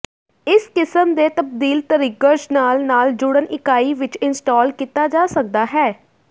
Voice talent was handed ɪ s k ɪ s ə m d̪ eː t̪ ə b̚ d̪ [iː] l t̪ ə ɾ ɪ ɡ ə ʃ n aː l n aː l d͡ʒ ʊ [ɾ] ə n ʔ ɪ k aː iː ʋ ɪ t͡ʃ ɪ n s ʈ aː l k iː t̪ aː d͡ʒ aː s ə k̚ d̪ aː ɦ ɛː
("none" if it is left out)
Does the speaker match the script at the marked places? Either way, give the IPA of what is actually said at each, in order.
iː, ɽ

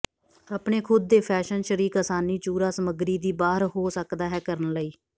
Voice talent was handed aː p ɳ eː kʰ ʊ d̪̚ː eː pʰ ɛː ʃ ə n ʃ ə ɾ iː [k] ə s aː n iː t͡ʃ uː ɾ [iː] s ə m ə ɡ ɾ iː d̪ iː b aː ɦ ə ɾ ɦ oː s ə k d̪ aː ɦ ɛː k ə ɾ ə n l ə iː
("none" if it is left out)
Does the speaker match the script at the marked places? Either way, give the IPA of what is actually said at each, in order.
k, aː

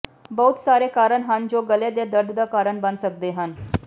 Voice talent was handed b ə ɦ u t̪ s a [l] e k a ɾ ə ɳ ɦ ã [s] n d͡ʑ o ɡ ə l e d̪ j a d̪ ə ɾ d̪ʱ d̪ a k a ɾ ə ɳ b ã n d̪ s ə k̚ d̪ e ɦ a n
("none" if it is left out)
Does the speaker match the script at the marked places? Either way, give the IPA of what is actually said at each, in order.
ɾ, none

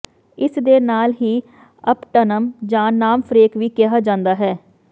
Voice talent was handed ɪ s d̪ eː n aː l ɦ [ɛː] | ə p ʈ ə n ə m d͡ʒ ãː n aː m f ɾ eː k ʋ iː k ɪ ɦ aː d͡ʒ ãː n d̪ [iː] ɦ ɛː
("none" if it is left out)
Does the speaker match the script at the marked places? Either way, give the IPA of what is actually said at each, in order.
iː, aː

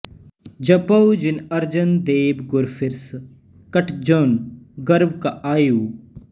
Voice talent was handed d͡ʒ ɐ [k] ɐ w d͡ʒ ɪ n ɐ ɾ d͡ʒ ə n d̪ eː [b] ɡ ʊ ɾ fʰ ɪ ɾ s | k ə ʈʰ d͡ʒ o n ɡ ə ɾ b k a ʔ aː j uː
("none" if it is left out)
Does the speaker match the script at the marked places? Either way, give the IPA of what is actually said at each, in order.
p, b

